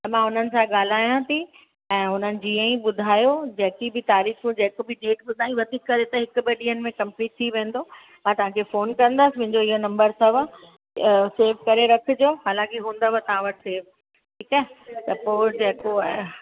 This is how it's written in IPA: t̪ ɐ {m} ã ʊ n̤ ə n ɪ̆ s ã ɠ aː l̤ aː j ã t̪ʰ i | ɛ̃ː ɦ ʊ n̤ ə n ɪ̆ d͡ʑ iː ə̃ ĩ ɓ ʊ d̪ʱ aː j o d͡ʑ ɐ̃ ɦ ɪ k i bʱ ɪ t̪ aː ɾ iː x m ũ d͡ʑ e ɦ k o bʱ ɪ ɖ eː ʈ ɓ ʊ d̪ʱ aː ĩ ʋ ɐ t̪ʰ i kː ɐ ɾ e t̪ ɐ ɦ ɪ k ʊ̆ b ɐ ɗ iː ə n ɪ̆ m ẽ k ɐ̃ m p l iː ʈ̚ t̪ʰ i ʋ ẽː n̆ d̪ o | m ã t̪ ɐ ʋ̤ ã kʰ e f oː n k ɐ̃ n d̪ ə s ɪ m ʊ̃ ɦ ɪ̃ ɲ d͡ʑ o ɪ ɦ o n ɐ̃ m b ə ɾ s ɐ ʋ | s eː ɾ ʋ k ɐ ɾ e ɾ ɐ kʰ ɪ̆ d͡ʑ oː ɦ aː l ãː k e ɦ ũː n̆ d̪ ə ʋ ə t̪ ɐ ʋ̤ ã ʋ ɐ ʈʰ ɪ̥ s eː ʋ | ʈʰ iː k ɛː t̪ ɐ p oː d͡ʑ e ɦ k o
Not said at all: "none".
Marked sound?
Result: m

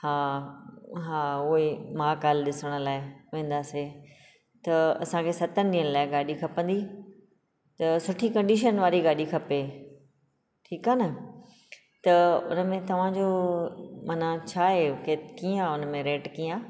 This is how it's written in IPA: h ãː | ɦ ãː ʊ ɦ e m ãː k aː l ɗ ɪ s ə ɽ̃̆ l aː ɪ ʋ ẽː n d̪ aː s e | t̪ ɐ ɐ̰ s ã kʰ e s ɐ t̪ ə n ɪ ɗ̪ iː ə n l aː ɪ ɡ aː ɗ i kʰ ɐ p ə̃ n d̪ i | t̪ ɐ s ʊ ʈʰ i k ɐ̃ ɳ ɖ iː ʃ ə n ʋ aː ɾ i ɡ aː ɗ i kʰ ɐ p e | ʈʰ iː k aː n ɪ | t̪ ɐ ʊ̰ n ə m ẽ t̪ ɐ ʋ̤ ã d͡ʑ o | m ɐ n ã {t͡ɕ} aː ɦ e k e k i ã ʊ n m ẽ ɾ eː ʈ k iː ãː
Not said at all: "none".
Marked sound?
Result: t͡ɕʰ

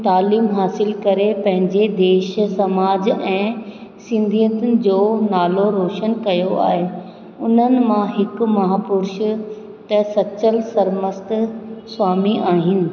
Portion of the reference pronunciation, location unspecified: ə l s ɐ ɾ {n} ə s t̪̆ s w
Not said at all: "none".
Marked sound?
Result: m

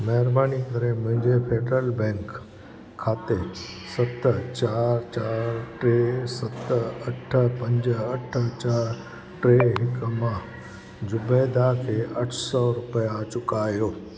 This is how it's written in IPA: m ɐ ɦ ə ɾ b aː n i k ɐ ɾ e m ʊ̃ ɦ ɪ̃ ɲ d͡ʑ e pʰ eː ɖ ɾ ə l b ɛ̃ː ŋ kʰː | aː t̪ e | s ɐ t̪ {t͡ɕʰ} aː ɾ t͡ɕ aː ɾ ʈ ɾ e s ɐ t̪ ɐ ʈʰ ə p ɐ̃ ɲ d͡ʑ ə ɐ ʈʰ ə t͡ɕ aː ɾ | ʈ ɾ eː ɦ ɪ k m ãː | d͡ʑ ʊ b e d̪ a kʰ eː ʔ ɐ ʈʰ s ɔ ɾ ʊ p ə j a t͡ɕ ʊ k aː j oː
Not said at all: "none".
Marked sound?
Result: t͡ɕ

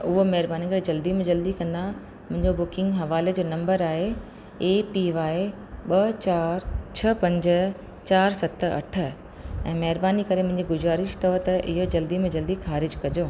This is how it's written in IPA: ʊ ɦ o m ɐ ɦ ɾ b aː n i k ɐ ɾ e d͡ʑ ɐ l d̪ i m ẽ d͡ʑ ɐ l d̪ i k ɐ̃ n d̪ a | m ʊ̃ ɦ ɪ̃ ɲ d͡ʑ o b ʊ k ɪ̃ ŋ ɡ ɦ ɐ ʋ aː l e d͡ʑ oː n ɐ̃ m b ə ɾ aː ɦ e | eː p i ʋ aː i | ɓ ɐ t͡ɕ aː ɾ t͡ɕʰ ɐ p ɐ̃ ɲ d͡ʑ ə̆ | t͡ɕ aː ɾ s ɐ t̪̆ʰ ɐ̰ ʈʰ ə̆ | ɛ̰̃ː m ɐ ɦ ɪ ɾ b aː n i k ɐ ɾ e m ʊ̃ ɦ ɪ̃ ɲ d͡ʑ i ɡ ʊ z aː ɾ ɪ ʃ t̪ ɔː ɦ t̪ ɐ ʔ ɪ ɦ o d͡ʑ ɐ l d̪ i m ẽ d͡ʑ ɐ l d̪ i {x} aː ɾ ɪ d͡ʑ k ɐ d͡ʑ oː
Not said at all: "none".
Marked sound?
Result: x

